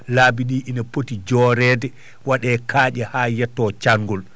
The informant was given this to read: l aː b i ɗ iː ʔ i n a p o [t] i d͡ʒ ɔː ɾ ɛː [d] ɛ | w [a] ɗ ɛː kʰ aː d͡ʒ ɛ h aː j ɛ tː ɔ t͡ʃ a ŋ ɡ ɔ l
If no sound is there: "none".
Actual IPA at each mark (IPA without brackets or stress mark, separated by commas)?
t, d, a